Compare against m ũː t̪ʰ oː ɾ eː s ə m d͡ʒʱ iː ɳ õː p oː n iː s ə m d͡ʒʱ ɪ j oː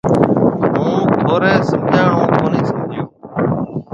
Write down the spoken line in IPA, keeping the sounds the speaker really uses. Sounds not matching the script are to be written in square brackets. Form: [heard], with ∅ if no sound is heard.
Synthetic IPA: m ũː t̪ʰ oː ɾ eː s ə m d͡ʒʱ [aː] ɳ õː [k] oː n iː s ə m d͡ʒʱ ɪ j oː